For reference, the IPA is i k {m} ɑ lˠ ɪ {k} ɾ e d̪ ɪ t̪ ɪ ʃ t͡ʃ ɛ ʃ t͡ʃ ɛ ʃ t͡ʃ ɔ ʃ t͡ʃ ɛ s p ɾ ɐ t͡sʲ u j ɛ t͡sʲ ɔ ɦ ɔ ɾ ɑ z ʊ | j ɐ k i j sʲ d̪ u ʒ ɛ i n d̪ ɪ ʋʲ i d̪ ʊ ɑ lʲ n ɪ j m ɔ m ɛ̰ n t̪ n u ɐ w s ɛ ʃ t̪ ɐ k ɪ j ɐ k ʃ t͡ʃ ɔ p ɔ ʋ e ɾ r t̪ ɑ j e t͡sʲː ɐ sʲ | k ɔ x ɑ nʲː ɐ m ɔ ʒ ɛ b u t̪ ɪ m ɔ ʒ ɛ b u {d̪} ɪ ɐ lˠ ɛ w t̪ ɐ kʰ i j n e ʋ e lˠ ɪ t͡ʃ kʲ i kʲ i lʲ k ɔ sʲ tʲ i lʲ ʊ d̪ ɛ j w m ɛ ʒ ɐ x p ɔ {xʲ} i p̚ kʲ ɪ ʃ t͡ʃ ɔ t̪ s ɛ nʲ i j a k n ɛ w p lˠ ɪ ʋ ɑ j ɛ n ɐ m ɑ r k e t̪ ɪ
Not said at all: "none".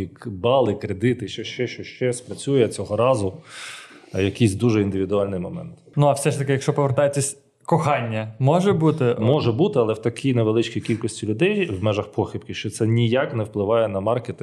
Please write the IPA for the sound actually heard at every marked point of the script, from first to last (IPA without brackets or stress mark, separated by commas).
b, k, t̪, xʲ